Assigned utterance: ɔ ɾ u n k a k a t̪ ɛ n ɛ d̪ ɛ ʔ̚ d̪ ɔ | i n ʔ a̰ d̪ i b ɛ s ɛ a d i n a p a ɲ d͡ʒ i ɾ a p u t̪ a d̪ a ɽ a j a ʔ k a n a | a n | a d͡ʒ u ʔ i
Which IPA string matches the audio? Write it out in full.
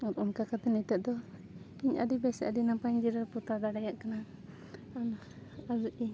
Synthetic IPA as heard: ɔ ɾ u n k a k a t̪ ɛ n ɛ t̪ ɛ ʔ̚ d̪ ɔ | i ɲ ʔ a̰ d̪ i b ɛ s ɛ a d i n a p a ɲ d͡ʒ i ɾ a p u t̪ a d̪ a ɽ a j a ʔ k a n a | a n | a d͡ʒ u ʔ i